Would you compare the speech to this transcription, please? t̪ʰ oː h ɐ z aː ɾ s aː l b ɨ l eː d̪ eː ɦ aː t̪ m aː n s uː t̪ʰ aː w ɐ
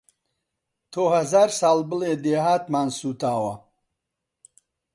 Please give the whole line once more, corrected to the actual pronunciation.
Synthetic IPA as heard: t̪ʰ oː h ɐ z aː ɾ s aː l b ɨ l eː d̪ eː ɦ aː t̪ m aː n s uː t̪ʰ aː w ɐ